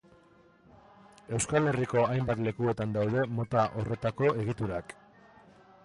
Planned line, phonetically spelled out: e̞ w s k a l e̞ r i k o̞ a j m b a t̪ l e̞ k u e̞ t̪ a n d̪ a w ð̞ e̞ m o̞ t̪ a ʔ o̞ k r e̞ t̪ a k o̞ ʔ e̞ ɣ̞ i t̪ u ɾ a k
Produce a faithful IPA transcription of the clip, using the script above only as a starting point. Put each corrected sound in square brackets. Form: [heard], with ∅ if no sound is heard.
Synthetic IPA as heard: e̞ w s k a l e̞ r i k o̞ a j m b a t̪ l e̞ k u e̞ t̪ a n d̪ a w ð̞ e̞ m o̞ t̪ a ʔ o̞ [∅] r e̞ t̪ a k o̞ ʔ e̞ ɣ̞ i t̪ u ɾ a k